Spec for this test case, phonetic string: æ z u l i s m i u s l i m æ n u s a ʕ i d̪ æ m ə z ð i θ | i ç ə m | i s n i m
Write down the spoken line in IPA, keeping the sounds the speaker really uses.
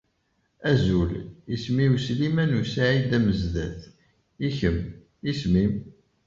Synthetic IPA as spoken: æ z u l i s m i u s l i m æ n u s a ʕ i d̪ æ m ə z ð æ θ | i ç ə m | i s m i m